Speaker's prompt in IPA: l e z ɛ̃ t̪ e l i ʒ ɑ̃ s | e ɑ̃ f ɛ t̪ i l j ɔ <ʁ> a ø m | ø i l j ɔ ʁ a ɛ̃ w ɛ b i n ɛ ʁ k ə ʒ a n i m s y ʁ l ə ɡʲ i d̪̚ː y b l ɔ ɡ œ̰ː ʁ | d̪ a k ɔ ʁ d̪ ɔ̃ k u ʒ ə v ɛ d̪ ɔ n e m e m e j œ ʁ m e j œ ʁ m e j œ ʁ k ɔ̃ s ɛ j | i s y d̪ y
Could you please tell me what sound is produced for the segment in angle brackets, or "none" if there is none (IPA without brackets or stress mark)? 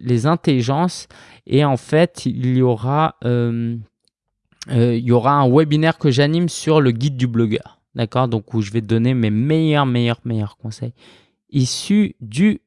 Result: ʁ